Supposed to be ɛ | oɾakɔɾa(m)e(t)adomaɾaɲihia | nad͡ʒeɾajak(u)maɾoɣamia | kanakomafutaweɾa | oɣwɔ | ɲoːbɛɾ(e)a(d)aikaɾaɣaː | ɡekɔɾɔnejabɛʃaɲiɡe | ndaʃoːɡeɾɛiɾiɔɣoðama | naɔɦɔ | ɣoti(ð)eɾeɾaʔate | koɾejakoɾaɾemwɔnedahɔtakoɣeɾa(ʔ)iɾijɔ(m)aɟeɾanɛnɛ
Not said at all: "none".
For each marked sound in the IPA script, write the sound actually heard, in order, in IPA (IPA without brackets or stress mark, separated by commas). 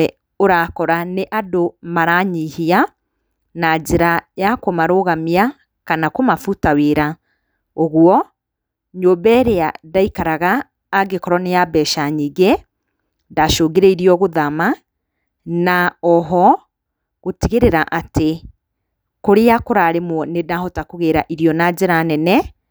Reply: n, ʔ, o, e, d, ɣ, ʔ, n